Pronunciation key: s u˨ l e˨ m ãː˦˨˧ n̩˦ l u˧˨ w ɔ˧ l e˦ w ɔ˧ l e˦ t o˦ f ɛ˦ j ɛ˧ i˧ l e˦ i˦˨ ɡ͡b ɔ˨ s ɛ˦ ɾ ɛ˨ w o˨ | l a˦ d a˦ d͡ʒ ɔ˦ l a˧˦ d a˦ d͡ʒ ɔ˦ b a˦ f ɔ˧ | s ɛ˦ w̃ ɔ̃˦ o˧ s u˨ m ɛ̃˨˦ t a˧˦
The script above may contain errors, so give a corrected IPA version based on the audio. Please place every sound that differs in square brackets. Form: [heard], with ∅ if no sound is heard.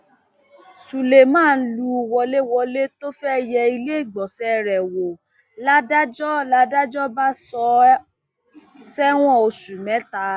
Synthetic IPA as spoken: s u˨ l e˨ m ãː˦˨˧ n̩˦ l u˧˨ w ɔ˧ l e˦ w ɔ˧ l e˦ t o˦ f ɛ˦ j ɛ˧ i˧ l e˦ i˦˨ ɡ͡b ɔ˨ s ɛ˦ ɾ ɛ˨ w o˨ | l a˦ d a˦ d͡ʒ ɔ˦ l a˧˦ d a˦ d͡ʒ ɔ˦ b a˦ [s] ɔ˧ | s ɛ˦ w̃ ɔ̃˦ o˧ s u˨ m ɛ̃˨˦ t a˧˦